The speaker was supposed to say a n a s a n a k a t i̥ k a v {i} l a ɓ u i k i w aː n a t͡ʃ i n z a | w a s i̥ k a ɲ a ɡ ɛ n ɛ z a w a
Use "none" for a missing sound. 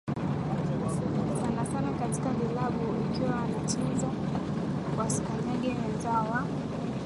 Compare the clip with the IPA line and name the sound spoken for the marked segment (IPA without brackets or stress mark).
i